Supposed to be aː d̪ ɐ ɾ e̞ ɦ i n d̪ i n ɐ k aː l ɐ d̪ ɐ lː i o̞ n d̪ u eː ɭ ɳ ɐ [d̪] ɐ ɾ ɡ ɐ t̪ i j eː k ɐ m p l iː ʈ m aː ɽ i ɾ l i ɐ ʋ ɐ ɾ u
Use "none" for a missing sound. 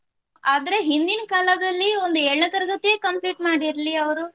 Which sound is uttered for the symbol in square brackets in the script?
t̪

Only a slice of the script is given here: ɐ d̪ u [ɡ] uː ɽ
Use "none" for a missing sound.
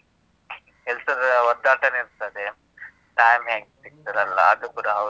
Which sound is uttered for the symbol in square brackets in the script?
k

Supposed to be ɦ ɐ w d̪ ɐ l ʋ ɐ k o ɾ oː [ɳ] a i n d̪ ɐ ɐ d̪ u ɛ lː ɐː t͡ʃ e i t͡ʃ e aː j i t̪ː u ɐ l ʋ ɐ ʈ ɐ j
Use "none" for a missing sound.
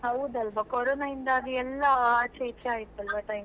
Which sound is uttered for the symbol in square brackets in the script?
n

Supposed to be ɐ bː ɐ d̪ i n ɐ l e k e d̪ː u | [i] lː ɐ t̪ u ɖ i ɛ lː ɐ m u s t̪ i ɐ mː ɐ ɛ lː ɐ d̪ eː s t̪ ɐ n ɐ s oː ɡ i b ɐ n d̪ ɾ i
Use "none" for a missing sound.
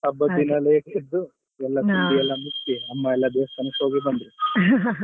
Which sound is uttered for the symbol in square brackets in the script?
ɛ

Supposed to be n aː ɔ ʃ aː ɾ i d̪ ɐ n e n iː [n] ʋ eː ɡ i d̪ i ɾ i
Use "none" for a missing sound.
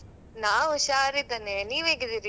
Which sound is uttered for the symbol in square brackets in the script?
none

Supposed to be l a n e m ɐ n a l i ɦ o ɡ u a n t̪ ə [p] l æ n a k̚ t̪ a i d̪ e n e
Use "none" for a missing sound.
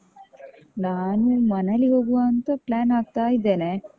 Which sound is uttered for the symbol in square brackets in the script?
p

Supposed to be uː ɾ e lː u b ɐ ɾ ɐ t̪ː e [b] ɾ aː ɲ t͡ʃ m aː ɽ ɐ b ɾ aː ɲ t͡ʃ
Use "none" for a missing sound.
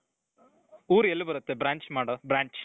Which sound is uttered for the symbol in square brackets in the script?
b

